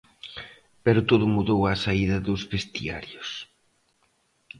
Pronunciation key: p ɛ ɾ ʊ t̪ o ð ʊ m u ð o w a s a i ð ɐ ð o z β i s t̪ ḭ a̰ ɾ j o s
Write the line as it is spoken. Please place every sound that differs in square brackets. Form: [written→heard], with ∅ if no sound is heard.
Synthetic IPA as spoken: p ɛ ɾ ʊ t̪ o ð ʊ m u ð o w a s a i ð ɐ ð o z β [i→e] s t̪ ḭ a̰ ɾ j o s